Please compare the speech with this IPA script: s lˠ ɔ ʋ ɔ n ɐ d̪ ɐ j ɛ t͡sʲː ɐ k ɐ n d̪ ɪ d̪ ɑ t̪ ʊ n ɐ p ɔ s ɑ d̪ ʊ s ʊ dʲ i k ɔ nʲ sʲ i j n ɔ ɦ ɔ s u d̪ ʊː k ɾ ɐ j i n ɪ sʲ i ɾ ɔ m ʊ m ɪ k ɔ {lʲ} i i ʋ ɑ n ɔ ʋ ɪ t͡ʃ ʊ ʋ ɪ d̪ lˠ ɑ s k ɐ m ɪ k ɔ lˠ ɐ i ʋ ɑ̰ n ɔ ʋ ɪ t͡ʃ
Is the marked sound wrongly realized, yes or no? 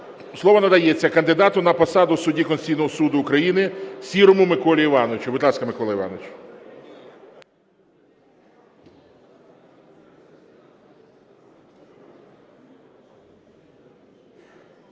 no